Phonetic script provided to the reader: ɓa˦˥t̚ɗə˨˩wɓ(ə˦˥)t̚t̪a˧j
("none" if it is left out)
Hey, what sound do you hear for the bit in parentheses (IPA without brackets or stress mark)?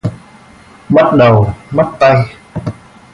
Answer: a˦˥